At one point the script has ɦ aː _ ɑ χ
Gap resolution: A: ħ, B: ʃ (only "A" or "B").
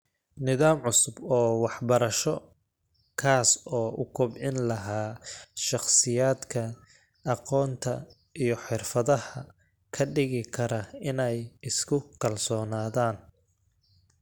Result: B